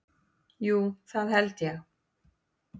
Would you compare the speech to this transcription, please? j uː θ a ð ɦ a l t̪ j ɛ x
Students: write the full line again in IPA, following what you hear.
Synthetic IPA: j uː θ a ð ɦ ɛ l t̪ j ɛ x